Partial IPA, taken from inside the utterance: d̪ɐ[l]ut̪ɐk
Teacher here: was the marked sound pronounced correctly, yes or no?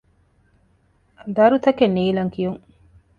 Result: no